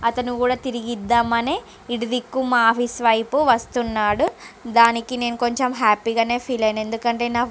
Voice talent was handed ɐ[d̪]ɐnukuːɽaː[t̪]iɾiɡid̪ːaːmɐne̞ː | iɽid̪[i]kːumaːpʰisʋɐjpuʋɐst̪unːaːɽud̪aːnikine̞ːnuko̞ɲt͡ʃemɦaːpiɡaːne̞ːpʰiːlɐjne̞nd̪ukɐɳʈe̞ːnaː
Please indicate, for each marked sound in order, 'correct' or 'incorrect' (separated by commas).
incorrect, correct, correct